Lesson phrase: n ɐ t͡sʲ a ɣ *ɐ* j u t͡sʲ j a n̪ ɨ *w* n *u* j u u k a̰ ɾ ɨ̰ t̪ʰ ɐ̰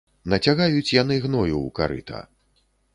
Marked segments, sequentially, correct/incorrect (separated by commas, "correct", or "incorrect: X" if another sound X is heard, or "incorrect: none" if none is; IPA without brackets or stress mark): incorrect: a, incorrect: ɣ, incorrect: ɔ